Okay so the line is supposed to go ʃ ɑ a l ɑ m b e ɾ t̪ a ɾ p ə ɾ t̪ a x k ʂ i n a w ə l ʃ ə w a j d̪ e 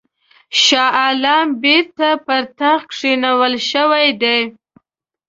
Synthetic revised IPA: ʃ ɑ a l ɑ m b e ɾ t̪ a p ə ɾ t̪ a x k ʂ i n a w ə l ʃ ə w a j d̪ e